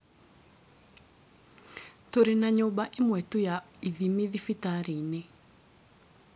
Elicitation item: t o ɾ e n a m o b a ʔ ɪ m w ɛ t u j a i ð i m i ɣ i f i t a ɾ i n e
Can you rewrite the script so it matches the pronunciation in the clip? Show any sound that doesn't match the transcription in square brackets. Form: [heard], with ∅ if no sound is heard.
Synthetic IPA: t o ɾ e n a [ɲ] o b a ʔ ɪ m w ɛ t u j a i ð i m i [ð] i f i t a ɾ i n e